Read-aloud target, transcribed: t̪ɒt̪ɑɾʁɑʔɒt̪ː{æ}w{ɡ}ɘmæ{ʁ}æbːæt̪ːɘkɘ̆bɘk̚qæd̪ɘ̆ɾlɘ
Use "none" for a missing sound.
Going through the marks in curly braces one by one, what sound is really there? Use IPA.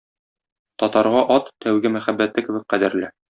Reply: æ, ɡ, χ

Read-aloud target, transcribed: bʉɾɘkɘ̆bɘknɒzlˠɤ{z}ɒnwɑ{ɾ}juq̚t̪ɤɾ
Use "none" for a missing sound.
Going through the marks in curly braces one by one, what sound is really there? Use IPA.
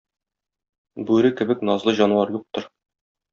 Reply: ʑ, ɾ

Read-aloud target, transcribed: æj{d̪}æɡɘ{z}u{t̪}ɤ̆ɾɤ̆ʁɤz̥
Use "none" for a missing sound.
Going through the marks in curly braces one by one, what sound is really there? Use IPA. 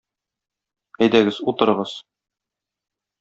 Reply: d̪, z, t̪

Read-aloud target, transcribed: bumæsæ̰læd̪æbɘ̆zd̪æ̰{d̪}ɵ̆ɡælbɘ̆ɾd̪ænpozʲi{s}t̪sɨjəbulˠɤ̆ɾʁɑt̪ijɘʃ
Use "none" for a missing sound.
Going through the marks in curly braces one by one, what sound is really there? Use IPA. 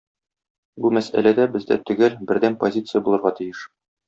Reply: t̪, none

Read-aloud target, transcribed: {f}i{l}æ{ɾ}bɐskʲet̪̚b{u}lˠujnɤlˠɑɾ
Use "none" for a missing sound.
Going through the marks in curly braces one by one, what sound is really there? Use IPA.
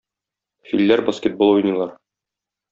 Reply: f, lː, ɾ, o

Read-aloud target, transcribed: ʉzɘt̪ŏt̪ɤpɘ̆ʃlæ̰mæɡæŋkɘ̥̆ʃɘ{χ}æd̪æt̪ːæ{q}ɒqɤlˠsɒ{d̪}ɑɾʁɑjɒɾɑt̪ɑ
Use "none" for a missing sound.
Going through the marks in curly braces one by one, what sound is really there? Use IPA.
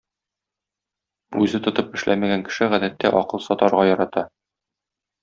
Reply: ʁ, ʔ, t̪

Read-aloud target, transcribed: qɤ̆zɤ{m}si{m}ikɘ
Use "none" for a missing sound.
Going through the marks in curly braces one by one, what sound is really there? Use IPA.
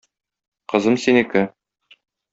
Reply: m, n

